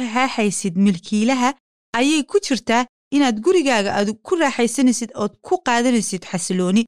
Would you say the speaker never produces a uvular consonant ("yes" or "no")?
no